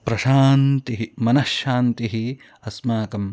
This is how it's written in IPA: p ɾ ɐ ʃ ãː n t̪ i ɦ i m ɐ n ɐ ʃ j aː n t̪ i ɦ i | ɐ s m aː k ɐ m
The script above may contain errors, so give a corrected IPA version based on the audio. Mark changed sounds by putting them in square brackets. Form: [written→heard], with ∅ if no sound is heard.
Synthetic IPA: p ɾ ɐ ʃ [ãː→aː] n t̪ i ɦ i m ɐ n ɐ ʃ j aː n t̪ i ɦ i | ɐ s m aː k ɐ m

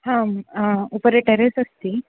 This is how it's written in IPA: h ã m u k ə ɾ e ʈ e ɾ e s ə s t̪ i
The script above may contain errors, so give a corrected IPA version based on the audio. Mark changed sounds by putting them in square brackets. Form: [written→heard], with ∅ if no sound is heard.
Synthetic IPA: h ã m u [k→p] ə ɾ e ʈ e ɾ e s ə s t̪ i

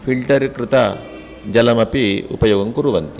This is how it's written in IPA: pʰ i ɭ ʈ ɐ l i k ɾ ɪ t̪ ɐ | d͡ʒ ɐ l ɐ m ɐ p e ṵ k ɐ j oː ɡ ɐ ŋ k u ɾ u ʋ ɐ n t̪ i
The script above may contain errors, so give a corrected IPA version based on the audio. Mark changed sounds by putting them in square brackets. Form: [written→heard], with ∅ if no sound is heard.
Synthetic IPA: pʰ i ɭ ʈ ɐ [l→ɾ] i k ɾ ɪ t̪ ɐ | d͡ʒ ɐ l ɐ m ɐ p [e→i] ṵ [k→p] ɐ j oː ɡ ɐ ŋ k u ɾ u ʋ ɐ n t̪ i

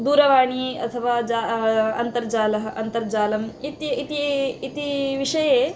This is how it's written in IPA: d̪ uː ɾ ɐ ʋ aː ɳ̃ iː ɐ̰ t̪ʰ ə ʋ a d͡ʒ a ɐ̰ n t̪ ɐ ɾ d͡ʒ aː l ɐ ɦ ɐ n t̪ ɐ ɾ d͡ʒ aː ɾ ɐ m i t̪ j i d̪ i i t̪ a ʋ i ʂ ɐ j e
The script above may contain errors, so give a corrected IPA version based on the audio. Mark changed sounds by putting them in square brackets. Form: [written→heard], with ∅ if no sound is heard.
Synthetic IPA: d̪ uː ɾ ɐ ʋ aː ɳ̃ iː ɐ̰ t̪ʰ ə ʋ a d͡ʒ a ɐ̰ n t̪ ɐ ɾ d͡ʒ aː l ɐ ɦ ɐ n t̪ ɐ ɾ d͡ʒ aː [ɾ→l] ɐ m i t̪ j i [d̪→t̪] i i t̪ [a→i] ʋ i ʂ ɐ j e

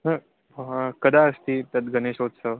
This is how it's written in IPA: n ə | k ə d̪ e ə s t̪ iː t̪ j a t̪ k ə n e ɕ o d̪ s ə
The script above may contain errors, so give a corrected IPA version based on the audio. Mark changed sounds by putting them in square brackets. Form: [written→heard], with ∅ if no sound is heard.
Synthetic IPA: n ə | k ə d̪ [e→a] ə s t̪ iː t̪ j a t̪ [k→ɡ] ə n e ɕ o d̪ s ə

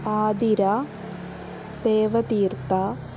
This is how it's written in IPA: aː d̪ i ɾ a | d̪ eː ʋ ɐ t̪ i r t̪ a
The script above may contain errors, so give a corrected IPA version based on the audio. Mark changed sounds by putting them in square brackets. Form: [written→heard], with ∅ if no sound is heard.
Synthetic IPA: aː d̪ i ɾ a | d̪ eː ʋ ɐ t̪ [i→iː] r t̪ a

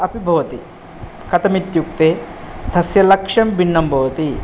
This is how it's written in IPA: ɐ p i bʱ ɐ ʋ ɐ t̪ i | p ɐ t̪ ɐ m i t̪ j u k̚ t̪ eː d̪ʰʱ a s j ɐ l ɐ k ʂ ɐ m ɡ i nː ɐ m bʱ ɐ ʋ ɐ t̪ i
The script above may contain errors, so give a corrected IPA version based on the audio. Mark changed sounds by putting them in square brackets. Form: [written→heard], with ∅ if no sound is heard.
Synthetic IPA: ɐ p i bʱ ɐ ʋ ɐ t̪ i | [p→k] ɐ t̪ ɐ m i t̪ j u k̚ t̪ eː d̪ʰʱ [a→ɐ] s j ɐ l ɐ k ʂ ɐ m [ɡ→b] i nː ɐ m bʱ ɐ ʋ ɐ t̪ i

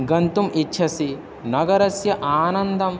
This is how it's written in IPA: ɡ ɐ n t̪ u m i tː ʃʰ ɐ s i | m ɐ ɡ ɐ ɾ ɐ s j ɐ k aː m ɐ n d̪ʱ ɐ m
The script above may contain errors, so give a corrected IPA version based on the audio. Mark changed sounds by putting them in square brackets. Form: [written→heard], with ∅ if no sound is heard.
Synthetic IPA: ɡ ɐ n t̪ u m i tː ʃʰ ɐ s i | [m→n] ɐ ɡ ɐ ɾ ɐ s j ɐ [k→ʔ] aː [m→n] ɐ n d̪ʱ ɐ m

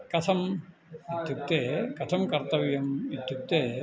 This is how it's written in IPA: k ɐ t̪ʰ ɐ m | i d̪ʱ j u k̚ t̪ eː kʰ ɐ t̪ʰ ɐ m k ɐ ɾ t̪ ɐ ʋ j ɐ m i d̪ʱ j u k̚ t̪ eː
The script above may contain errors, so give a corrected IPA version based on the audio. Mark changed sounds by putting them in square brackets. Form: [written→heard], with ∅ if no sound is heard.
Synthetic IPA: k ɐ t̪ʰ ɐ m | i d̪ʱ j u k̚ t̪ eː [kʰ→k] ɐ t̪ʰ ɐ m k ɐ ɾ t̪ ɐ ʋ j ɐ m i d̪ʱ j u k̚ t̪ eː

